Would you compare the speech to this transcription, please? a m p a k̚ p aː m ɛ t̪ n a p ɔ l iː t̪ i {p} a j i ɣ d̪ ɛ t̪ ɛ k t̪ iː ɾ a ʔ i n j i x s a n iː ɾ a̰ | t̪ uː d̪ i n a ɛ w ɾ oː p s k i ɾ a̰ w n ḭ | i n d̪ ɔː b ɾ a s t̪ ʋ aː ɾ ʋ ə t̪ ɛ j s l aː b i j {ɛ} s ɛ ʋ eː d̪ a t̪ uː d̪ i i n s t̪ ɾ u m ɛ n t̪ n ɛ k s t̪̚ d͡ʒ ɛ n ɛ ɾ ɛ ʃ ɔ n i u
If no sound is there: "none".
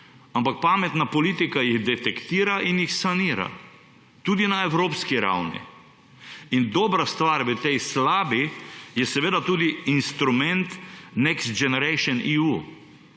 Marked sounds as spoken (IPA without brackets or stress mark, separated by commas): k, ɛ